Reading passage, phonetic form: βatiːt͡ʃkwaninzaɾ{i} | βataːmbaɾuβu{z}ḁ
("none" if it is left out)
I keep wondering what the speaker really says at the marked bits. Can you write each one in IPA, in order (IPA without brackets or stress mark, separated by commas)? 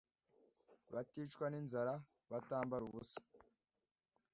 a, s